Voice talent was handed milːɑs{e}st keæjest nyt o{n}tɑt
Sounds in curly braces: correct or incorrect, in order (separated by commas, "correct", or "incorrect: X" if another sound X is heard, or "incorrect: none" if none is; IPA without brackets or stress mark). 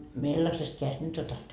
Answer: correct, incorrect: none